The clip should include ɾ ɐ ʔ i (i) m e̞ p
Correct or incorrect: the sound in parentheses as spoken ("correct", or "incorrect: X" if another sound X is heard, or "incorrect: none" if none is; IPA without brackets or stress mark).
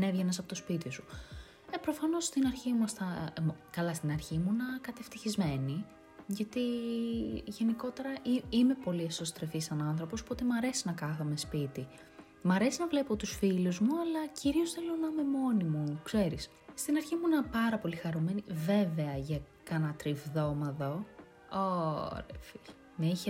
correct